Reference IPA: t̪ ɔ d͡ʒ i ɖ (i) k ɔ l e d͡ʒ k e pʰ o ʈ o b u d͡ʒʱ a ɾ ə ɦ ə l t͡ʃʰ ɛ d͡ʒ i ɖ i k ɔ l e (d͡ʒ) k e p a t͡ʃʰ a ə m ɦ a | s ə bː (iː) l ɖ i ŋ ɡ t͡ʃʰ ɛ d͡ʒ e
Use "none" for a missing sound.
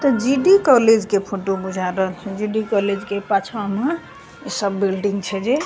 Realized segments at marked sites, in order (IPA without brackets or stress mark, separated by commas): i, d͡ʒ, i